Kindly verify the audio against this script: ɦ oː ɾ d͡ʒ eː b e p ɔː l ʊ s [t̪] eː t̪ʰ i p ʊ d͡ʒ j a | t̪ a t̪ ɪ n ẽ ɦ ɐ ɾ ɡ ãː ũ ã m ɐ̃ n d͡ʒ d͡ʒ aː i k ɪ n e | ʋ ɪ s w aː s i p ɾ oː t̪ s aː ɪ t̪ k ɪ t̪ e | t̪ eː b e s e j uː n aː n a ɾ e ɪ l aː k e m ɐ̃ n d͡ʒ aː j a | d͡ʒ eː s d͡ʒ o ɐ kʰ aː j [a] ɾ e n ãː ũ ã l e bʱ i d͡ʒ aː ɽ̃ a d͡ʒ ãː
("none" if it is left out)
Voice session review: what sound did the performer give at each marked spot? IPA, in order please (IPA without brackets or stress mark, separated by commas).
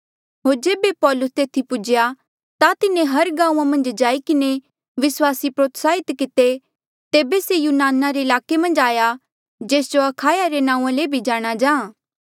t̪, a